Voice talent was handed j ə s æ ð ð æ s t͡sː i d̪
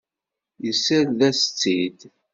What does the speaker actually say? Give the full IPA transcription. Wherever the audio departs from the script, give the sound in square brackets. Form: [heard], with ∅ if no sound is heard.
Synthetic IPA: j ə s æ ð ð æ s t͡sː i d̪